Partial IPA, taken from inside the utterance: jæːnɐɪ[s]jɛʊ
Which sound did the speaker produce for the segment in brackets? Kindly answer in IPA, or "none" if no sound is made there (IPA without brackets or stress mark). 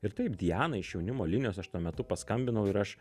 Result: ʃ